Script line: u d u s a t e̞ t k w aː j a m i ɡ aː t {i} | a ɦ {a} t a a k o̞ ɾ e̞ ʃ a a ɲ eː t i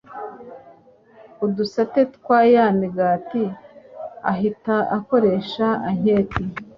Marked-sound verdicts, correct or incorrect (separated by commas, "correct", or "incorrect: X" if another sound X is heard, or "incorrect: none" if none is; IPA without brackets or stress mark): correct, incorrect: i